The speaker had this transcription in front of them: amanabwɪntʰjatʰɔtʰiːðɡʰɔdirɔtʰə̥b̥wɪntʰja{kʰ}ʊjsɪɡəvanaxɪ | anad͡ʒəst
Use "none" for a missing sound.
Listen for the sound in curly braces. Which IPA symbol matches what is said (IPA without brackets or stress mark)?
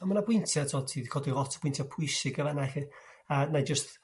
pʰ